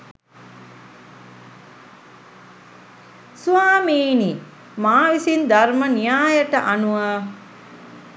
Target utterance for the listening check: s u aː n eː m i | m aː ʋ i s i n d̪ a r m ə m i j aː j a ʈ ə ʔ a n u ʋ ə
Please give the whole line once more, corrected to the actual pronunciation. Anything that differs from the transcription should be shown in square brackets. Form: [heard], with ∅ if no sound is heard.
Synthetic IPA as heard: s u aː [m] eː [n] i | m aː ʋ i s i n d̪ a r m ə [n] i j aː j [ə] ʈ ə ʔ a n u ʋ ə